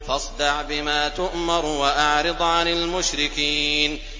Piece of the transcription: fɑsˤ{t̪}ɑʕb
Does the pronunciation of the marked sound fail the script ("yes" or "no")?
yes